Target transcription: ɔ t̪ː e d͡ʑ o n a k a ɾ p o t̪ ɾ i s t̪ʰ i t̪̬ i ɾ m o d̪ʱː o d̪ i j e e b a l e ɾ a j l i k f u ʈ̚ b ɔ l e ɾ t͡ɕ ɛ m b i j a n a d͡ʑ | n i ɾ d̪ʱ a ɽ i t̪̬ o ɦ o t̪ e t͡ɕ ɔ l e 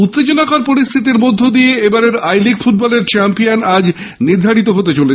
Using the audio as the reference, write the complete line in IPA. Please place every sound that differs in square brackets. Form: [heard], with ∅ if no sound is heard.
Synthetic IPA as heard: [u] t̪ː e d͡ʑ o n a k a ɾ p o [∅] ɾ i s t̪ʰ i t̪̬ i ɾ m o d̪ʱː o d̪ i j e e b a [ɾ] e ɾ a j l i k f u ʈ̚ b ɔ l e ɾ t͡ɕ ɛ m [p] i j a n a d͡ʑ | n i ɾ d̪ʱ a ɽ i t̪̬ o ɦ o t̪ e t͡ɕ [o] l e